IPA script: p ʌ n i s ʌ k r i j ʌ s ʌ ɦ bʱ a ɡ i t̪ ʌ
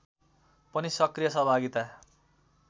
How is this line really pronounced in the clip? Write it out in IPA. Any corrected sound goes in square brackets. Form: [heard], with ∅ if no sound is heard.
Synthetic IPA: p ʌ n i s ʌ k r i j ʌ s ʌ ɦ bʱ a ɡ i t̪ [a]